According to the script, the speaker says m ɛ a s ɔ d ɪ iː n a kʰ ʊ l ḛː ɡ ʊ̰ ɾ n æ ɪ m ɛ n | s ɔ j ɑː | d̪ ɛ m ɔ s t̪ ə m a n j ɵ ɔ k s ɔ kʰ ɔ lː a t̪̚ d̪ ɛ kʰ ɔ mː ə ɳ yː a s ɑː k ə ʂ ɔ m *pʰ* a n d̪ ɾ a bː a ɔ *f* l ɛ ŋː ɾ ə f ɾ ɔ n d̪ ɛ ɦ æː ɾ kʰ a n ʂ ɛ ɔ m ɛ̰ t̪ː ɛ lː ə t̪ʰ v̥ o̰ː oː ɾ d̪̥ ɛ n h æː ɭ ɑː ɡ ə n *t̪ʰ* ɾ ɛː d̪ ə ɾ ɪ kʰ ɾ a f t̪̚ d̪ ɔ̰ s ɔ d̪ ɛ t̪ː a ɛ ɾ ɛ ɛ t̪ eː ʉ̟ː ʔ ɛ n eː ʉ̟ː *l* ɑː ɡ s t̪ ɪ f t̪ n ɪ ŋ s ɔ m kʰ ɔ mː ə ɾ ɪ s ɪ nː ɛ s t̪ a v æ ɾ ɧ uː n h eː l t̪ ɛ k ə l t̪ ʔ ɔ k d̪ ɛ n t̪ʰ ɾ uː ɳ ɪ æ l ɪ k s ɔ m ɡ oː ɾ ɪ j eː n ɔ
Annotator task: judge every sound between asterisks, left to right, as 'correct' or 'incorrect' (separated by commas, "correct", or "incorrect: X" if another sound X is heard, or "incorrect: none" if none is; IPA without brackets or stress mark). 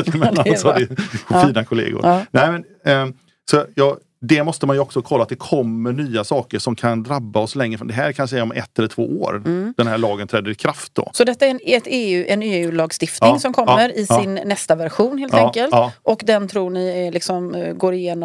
incorrect: kʰ, incorrect: s, correct, correct